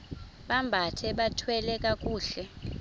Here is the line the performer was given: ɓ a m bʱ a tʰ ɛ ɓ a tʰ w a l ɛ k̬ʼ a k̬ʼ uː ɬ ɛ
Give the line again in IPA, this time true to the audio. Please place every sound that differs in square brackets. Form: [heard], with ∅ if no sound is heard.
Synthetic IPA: ɓ a m bʱ a tʰ ɛ ɓ a tʰ w [ɛ] l ɛ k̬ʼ a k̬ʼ uː ɬ ɛ